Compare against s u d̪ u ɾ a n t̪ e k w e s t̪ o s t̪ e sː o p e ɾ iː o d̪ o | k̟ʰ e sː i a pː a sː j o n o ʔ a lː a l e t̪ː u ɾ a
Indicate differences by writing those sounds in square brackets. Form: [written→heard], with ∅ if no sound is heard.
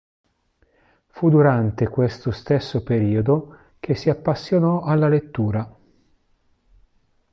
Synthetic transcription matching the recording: [s→f] u d̪ u ɾ a n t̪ e k w e s t̪ o s t̪ e sː o p e ɾ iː o d̪ o | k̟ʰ e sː i a pː a sː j o n [o→ɔ] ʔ a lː a l e t̪ː [u→uː] ɾ a